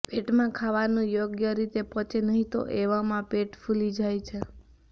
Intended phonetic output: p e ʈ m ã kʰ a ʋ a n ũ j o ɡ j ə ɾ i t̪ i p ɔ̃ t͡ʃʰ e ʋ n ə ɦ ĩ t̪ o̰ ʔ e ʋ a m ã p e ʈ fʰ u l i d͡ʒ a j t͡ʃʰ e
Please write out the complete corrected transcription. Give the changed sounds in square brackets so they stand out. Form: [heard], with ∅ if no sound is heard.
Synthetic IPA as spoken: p e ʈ m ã kʰ a ʋ a n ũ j o ɡ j ə ɾ i t̪ [e] p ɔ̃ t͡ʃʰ e [∅] n ə ɦ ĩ t̪ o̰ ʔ e ʋ a m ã p e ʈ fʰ u l i d͡ʒ a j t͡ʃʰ e